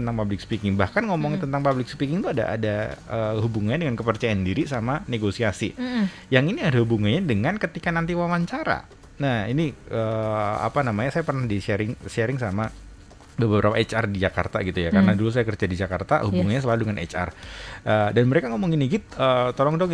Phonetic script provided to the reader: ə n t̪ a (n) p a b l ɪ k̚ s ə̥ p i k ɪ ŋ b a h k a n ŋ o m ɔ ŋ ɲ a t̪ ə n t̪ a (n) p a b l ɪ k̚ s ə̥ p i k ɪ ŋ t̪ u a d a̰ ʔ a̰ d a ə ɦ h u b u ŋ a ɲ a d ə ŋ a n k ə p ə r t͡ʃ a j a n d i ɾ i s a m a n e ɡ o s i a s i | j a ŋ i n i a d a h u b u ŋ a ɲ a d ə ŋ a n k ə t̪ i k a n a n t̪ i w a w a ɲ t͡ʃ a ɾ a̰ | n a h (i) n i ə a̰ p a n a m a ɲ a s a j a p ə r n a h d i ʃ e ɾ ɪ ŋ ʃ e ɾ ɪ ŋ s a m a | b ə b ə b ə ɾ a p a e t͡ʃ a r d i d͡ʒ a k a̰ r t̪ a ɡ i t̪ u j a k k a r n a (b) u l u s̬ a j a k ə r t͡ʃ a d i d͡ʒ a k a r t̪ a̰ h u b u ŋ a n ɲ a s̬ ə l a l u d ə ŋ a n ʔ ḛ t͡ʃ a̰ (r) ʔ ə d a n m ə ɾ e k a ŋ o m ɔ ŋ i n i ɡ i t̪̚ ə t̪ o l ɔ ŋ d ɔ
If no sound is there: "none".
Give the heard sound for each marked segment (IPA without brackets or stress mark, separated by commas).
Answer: ŋ, ŋ, i, d, r